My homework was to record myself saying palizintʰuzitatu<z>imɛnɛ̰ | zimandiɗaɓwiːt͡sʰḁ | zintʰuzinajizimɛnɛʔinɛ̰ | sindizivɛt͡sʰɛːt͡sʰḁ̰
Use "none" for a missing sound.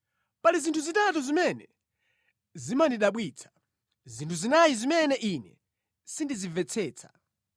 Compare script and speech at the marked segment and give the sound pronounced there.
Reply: z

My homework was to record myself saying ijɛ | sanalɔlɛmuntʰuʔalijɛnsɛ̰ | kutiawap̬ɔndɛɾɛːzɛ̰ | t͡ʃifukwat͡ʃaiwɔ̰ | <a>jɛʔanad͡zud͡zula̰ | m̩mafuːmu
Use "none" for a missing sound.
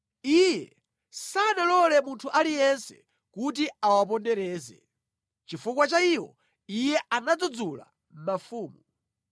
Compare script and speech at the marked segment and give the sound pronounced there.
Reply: i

